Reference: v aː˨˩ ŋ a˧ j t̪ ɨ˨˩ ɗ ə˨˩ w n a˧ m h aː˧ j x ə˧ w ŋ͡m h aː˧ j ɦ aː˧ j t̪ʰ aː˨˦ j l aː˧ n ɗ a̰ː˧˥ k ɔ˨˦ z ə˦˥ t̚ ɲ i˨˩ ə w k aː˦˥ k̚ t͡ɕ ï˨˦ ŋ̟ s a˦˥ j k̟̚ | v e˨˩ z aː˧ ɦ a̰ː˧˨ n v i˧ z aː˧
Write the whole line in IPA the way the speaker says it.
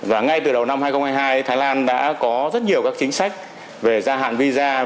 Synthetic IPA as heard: v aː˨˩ ŋ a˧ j t̪ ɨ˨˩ ɗ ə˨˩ w n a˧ m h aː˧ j x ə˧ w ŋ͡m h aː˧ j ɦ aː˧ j t̪ʰ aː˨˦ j l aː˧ n ɗ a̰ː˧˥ k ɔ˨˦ z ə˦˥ t̚ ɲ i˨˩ ə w k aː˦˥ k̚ t͡ɕ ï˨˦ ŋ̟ s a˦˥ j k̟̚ | v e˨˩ z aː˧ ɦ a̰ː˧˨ n v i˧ z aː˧